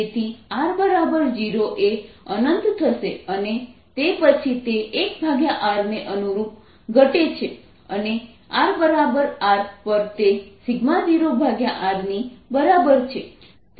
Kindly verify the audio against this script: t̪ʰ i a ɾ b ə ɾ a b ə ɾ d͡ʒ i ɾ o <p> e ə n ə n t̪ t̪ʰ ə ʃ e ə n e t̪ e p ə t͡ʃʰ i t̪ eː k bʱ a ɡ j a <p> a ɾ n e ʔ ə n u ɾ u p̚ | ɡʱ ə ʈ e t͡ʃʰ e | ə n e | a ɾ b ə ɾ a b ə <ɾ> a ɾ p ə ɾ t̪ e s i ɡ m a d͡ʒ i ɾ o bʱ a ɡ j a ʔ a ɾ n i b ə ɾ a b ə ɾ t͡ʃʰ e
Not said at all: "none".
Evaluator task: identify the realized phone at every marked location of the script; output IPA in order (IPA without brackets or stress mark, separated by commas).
ʔ, ʔ, ɾ